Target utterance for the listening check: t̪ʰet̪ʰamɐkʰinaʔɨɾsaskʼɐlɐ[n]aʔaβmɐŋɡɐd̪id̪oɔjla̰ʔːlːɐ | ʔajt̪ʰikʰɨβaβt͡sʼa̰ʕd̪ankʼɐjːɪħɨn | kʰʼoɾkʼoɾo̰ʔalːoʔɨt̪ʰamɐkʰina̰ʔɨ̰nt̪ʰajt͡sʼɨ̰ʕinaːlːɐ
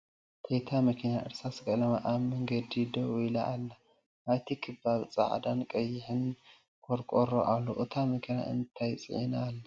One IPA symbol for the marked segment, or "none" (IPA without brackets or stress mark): m